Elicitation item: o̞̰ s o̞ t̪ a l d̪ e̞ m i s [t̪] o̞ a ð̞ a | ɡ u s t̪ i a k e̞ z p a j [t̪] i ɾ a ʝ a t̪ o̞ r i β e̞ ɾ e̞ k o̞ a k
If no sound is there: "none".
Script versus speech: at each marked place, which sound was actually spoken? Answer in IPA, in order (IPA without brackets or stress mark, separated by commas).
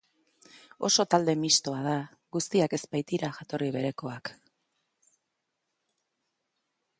t̪, t̪